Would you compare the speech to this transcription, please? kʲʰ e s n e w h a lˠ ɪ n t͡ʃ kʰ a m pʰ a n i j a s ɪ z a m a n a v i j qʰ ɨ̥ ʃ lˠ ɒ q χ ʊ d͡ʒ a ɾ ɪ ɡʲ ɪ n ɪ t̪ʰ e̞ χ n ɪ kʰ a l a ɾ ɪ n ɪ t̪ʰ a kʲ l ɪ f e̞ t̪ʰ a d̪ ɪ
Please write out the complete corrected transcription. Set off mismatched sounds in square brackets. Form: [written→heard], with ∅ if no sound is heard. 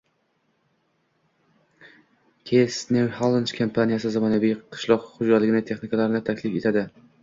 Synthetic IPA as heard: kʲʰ e s n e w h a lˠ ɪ n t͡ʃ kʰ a m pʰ a n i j a s ɪ z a m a n a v i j qʰ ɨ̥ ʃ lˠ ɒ q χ ʊ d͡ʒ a [ɾ→l] ɪ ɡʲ ɪ n ɪ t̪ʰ e̞ χ n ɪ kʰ a l a ɾ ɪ n ɪ t̪ʰ a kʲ l ɪ f e̞ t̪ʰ a d̪ ɪ